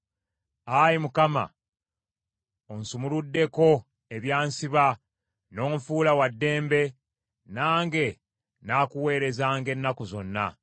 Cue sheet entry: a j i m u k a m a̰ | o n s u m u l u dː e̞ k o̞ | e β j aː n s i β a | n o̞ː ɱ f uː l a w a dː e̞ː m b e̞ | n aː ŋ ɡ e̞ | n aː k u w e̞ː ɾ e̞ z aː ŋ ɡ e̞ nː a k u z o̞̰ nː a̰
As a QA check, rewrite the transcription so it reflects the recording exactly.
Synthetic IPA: a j i m u k a m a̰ | o n s u m u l u dː e̞ k o̞ | e β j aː n s i β a | n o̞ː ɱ f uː l a w a dː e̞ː m b e̞ | n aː ŋ ɡ e̞ | n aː k u w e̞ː ɾ e̞ z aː ŋ ɡ e̞ nː a k u z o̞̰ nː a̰